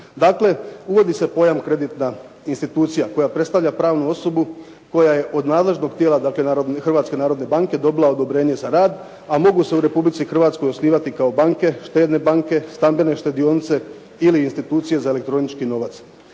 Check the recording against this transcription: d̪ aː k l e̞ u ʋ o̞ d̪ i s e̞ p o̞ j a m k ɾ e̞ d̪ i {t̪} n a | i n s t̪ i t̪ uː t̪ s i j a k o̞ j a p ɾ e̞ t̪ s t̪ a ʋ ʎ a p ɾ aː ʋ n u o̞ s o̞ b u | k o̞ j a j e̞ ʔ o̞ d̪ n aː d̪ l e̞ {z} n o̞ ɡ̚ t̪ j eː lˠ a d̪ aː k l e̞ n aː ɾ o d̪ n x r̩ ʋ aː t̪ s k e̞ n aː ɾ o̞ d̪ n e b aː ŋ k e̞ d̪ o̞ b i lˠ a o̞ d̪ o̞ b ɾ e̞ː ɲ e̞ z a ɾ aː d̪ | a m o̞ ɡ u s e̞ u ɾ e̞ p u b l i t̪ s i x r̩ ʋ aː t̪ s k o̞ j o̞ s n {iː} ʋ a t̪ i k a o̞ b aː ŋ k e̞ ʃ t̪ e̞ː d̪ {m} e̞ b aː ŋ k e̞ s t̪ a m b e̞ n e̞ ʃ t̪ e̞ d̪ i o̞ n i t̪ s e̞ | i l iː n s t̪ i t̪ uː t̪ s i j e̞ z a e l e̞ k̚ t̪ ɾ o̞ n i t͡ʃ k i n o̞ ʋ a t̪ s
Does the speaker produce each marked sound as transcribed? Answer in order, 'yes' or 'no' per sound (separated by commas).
yes, no, yes, no